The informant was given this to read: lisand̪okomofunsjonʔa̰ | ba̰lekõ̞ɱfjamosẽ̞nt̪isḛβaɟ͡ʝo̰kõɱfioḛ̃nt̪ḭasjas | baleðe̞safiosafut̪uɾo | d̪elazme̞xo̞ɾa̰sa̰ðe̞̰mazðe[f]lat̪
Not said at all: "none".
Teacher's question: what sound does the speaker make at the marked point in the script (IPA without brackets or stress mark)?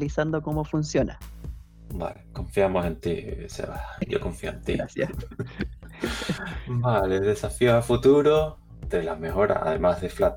f